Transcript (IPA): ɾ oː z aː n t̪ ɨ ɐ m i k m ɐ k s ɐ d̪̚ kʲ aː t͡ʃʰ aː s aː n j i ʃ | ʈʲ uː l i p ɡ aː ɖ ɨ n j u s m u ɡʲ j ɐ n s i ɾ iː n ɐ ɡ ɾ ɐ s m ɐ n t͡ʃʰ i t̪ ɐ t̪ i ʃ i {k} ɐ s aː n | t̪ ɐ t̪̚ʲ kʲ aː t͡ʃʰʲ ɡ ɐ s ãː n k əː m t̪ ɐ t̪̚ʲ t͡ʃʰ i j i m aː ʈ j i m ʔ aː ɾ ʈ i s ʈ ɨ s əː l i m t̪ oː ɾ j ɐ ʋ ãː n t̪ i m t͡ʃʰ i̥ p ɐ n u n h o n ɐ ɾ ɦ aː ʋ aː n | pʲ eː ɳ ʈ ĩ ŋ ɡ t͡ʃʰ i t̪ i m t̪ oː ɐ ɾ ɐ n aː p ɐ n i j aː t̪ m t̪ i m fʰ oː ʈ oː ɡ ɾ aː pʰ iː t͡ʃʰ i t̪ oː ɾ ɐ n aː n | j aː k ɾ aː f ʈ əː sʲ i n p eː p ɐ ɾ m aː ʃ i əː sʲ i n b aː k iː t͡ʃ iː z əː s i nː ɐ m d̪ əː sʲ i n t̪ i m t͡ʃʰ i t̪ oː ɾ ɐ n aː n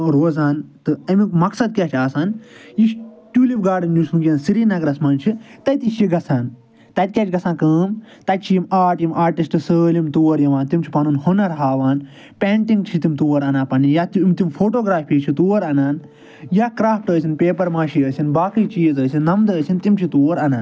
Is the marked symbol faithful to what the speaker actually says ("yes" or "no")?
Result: no